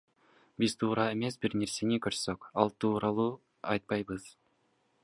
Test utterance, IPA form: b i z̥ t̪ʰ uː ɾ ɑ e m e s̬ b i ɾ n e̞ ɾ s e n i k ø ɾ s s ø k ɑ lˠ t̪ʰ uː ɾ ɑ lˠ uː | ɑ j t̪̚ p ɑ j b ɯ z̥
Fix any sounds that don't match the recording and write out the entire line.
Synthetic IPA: b i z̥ t̪ʰ uː ɾ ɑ e m e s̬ b i ɾ n e̞ ɾ s e n i k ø ɾ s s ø k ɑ lˠ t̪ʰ uː ɾ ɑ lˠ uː | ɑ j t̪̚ p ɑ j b ɯ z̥